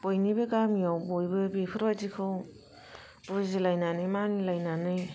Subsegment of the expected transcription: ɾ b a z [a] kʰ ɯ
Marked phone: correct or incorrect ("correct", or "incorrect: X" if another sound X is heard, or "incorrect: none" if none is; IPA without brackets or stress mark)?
incorrect: i